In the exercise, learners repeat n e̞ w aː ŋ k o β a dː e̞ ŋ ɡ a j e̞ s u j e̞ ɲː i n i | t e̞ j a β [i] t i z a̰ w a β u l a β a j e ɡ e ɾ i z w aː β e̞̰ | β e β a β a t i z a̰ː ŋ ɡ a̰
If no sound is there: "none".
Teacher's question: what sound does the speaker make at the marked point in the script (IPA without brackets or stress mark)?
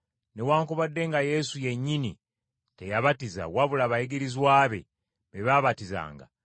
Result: a